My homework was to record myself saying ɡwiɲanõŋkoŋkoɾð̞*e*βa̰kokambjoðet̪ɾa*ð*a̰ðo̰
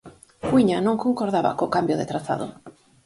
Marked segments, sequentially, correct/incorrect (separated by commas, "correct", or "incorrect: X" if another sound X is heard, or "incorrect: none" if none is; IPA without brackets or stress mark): incorrect: a, incorrect: θ